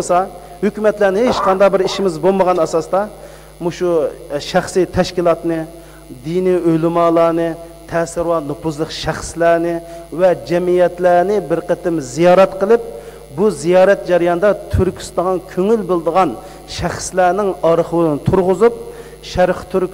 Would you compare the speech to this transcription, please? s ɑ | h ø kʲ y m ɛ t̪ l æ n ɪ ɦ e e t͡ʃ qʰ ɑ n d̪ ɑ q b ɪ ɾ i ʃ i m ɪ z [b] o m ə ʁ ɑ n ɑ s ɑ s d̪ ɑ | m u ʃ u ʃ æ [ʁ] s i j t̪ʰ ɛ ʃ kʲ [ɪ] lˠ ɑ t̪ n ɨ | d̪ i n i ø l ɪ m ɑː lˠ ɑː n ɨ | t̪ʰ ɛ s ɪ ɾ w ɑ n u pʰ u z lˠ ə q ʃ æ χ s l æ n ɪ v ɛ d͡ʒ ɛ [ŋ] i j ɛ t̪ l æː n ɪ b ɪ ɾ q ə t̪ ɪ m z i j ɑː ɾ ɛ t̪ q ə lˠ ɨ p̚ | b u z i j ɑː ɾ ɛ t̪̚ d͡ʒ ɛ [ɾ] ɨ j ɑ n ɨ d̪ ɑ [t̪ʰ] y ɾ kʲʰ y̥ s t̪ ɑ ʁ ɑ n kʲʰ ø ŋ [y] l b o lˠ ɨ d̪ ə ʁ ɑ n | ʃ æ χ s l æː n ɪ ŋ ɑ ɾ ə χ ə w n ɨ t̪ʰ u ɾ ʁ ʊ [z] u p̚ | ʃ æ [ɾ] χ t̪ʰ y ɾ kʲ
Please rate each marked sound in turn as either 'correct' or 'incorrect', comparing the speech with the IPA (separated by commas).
correct, incorrect, incorrect, incorrect, correct, correct, correct, correct, correct